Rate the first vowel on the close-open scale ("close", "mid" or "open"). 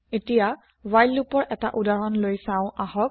mid